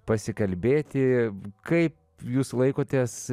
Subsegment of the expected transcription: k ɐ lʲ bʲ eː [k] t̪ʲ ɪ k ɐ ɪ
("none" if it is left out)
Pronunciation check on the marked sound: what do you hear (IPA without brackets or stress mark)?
none